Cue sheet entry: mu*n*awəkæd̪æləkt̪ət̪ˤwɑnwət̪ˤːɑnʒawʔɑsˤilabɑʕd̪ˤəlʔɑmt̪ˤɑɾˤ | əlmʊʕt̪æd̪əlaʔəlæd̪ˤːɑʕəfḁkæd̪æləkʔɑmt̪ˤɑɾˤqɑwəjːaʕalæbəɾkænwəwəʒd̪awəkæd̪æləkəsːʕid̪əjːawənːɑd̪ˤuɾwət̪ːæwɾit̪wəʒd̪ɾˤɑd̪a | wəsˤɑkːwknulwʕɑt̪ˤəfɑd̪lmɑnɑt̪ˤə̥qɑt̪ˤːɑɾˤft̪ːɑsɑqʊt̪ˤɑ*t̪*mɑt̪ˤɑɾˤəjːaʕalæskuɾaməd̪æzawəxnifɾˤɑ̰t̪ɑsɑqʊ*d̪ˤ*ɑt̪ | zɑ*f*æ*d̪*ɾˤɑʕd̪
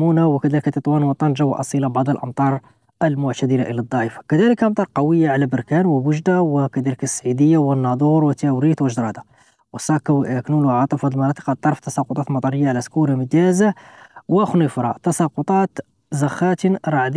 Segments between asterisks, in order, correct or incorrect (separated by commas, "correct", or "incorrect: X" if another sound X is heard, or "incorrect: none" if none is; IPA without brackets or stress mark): correct, correct, incorrect: t̪ˤ, incorrect: x, incorrect: t̪